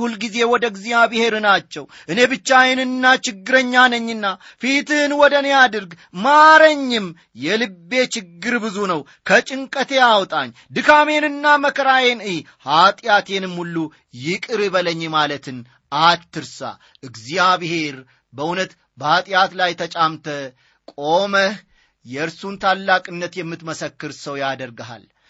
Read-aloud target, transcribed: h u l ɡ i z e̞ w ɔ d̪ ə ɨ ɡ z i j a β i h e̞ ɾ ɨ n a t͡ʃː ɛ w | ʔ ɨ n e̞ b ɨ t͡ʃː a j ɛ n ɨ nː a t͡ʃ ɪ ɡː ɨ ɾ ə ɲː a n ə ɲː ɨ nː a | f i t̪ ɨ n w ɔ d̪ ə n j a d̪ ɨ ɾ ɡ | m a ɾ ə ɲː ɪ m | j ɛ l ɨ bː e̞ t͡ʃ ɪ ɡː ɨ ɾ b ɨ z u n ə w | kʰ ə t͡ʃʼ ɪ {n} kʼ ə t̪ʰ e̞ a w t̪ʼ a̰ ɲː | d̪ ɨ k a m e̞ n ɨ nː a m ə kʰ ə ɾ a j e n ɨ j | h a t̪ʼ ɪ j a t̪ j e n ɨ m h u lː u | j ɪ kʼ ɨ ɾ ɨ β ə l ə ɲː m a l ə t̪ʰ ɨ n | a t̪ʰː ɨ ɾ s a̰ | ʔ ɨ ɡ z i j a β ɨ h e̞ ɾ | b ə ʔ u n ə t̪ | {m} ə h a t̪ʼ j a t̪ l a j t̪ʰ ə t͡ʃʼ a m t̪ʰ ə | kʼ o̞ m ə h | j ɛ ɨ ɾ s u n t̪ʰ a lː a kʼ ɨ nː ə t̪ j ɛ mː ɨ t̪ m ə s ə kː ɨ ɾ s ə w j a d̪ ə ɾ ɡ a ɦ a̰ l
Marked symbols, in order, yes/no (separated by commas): no, no